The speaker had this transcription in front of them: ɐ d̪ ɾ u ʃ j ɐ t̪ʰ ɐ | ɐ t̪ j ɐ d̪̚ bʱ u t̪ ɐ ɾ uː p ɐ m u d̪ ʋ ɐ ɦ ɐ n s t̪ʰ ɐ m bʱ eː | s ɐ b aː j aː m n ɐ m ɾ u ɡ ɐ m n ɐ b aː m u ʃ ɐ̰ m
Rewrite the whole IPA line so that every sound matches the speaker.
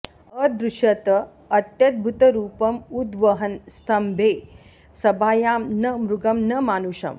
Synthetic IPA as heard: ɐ d̪ ɾ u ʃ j ɐ t̪ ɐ | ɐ t̪ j ɐ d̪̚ bʱ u t̪ ɐ ɾ uː p ɐ m u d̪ ʋ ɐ ɦ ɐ n s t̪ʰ ɐ m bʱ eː | s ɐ b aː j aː m n ɐ m ɾ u ɡ ɐ m n ɐ m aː n u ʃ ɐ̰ m